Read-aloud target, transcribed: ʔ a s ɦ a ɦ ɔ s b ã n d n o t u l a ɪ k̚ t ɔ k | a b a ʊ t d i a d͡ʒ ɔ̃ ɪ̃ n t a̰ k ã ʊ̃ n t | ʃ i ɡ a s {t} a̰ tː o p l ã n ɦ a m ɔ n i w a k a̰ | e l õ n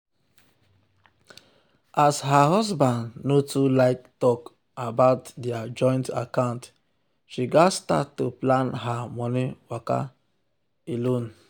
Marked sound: correct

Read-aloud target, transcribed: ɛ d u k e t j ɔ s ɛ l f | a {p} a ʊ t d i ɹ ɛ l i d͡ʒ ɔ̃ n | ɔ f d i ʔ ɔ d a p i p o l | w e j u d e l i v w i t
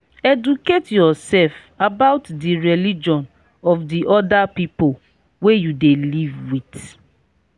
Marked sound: incorrect: b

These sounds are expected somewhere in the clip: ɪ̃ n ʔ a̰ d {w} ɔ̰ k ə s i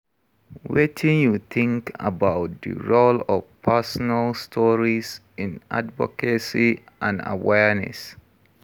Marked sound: incorrect: v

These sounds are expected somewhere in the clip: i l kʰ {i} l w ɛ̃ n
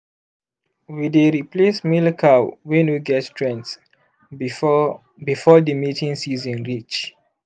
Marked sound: incorrect: a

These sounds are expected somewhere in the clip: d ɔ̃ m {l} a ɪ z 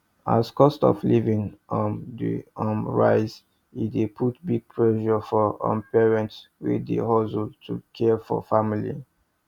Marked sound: incorrect: ɹ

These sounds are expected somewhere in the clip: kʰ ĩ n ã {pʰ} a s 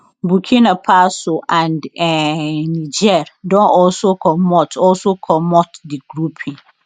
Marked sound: correct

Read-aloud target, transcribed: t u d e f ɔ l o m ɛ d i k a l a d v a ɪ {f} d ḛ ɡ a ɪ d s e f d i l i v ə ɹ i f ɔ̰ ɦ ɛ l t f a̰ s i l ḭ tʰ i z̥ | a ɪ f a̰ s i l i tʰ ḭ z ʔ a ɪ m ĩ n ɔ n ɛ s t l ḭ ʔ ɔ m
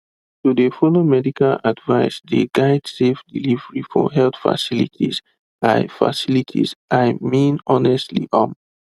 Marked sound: incorrect: s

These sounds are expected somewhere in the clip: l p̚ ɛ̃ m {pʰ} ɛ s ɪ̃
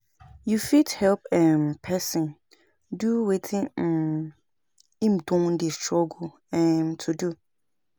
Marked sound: correct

